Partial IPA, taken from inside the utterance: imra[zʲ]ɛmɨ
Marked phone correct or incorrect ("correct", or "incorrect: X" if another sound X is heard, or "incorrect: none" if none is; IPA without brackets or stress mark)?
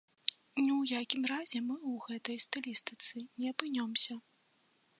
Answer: correct